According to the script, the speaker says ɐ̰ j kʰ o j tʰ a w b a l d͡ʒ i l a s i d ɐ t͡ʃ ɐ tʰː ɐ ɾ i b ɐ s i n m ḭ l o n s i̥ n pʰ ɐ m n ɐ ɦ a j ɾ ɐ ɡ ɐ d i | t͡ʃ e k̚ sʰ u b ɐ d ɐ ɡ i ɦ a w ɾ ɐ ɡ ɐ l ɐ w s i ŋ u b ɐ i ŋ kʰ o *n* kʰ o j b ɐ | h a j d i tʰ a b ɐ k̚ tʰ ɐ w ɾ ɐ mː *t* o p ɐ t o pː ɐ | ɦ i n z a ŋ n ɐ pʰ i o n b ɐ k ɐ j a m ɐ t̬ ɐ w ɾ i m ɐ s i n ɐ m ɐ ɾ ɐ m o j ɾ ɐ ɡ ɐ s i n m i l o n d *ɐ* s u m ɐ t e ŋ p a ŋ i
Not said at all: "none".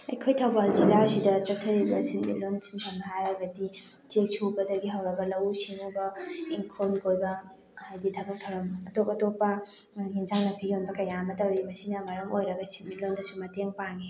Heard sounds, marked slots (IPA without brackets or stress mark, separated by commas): n, t, ɐ